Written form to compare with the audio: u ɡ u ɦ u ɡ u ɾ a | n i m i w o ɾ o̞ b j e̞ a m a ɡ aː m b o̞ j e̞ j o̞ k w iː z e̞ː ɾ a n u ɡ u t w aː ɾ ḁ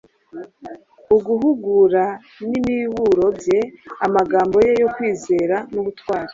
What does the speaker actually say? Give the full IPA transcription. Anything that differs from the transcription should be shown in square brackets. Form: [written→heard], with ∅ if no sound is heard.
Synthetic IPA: u ɡ u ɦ u ɡ u ɾ a | n i m i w [o→u] ɾ o̞ b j e̞ a m a ɡ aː m b o̞ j e̞ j o̞ k w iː z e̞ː ɾ a n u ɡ u t w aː ɾ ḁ